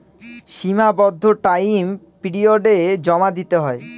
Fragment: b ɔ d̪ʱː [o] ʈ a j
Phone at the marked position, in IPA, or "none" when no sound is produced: o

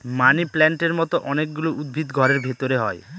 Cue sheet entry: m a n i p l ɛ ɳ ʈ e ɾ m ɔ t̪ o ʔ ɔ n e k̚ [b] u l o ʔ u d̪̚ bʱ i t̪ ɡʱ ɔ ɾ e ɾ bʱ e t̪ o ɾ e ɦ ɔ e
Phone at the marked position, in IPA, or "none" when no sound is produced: ɡ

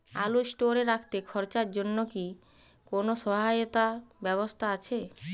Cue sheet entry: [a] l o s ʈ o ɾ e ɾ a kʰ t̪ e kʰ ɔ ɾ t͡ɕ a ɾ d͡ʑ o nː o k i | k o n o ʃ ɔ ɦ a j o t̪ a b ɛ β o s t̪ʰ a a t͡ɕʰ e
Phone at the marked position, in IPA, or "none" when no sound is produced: a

